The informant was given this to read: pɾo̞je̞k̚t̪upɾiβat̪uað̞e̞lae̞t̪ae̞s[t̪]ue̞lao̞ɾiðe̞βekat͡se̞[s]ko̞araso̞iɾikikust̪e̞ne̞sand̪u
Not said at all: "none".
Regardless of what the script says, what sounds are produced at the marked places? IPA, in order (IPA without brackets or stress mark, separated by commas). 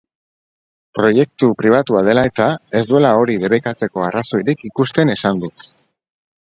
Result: d̪, none